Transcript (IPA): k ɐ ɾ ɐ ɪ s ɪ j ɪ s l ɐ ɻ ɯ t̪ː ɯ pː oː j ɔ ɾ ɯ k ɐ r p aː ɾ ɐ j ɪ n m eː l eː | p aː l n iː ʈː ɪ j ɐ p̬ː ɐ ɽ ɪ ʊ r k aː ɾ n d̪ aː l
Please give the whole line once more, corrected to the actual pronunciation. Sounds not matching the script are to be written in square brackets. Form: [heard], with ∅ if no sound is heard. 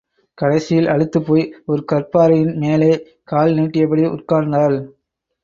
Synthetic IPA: k ɐ [ɽ] ɐ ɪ s ɪ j ɪ [∅] l ɐ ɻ ɯ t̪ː ɯ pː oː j ɔ ɾ ɯ k ɐ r p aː ɾ ɐ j ɪ n m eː l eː | [k] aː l n iː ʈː ɪ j ɐ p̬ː ɐ ɽ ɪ ʊ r k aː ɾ n d̪ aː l